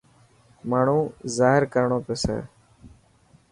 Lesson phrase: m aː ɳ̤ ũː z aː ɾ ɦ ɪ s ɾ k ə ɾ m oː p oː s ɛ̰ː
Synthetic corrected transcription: m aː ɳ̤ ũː z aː ɦ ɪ ɾ k ə ɾ ɳ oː p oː s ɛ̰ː

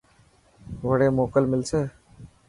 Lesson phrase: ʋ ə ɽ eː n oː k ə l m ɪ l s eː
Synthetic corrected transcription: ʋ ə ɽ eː m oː k ə l m ɪ l s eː

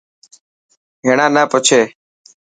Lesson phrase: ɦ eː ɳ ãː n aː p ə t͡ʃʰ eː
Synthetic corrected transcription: ɦ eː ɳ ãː n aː p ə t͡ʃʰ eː

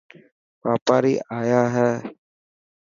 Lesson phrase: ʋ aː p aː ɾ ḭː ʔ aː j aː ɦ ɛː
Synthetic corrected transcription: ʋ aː p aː ɾ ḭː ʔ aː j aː ɦ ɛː

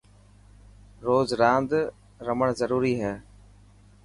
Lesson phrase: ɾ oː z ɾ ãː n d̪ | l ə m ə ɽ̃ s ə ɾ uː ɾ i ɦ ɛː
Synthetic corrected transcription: ɾ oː z ɾ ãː n d̪ | ɾ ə m ə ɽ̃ z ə ɾ uː ɾ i ɦ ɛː

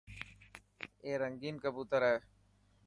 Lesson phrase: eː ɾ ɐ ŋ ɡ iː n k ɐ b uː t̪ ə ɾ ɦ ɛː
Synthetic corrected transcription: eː ɾ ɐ ŋ ɡ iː n k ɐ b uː t̪ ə ɾ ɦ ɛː

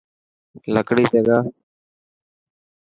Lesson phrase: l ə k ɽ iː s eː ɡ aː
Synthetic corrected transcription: l ə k ɽ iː s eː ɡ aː

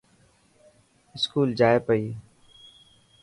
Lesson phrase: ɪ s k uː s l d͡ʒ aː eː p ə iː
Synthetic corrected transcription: ɪ s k uː l d͡ʒ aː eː p ə iː

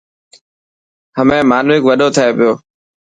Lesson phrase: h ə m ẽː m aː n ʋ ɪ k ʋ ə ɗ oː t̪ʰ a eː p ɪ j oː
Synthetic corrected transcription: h ə m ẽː m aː n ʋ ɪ k ʋ ə ɗ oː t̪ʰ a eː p ɪ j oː

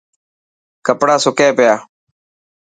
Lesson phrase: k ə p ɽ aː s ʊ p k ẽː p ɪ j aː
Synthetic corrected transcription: k ə p ɽ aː s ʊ k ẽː p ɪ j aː

